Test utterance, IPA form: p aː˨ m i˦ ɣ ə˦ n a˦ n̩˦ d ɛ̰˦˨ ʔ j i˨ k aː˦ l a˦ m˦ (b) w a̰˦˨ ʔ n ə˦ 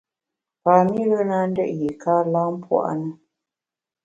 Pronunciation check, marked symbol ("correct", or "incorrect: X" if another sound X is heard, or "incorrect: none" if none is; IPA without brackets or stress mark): incorrect: p